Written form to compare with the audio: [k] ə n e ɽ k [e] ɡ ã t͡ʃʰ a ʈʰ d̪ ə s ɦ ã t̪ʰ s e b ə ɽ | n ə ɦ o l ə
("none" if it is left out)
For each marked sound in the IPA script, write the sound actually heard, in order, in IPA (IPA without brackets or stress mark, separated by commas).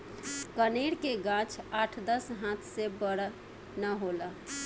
k, e